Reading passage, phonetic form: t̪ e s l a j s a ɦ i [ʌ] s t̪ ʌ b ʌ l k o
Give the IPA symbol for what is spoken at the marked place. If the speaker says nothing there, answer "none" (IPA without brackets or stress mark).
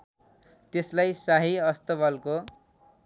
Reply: ʌ